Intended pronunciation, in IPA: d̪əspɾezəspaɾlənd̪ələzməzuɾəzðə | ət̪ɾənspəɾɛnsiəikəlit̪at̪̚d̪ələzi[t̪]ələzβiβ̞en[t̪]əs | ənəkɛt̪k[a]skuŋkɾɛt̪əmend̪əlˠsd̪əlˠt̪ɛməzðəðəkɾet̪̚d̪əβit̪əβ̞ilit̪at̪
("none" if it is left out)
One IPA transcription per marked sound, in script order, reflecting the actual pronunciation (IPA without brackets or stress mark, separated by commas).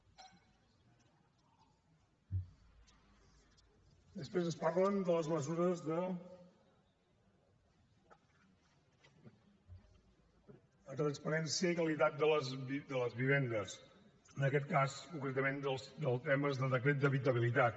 d̪, d̪, a